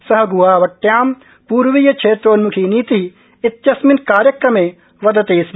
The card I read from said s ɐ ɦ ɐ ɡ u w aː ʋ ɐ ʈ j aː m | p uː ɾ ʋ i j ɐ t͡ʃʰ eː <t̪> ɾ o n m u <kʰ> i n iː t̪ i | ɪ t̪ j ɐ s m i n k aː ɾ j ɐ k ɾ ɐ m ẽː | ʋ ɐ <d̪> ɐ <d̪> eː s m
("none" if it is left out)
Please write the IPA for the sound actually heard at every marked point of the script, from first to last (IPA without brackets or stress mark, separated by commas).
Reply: t̪, kʰ, d̪, t̪